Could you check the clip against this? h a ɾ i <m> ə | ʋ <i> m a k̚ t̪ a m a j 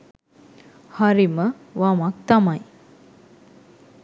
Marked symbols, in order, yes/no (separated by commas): yes, no